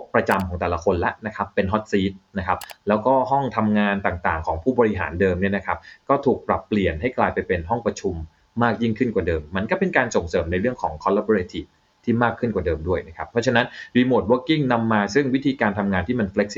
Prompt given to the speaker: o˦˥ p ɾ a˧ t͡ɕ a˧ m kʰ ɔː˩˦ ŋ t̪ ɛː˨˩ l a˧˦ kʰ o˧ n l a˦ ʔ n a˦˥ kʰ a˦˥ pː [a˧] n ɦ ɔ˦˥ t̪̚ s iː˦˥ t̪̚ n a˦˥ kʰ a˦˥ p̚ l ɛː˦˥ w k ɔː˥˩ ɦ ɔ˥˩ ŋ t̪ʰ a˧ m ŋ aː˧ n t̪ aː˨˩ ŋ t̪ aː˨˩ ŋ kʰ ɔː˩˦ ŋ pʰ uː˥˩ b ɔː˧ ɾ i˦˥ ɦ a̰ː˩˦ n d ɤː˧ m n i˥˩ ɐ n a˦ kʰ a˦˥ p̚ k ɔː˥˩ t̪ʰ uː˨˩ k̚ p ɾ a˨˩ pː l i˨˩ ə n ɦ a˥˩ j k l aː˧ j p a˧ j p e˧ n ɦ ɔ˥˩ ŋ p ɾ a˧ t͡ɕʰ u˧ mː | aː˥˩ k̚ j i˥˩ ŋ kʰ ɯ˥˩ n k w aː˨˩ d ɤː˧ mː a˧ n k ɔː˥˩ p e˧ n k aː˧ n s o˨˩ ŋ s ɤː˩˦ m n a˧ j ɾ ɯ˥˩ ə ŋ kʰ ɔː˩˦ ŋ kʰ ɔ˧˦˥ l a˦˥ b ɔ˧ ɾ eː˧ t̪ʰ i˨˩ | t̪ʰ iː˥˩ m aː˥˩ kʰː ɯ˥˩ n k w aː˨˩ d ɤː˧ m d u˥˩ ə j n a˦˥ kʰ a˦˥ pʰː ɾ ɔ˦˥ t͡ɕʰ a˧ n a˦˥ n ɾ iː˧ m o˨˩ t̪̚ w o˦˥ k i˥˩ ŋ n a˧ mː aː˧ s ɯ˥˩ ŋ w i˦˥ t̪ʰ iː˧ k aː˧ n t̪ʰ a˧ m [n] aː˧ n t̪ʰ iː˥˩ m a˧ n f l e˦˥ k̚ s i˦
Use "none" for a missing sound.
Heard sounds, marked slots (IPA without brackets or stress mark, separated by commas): e˧, ŋ